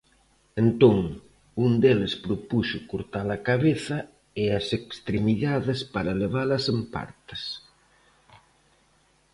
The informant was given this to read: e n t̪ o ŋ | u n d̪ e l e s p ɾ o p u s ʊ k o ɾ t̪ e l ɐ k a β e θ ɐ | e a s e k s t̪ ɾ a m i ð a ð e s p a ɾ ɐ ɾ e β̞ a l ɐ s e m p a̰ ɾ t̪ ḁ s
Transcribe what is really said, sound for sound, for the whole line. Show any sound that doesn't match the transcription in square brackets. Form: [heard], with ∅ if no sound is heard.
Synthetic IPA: e n t̪ o ŋ | u n d̪ e l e s p ɾ o p u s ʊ k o ɾ t̪ [a] l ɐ k a β e θ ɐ | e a s e k s t̪ ɾ [e] m i ð a ð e s p a ɾ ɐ [l] e β̞ a l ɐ s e m p a̰ ɾ t̪ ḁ s